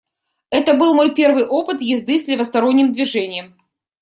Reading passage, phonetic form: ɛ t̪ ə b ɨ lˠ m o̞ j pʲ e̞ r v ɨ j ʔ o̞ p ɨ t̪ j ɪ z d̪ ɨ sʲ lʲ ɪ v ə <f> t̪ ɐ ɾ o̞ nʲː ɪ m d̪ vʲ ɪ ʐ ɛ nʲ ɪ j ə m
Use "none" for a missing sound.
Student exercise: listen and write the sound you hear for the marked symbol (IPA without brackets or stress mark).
s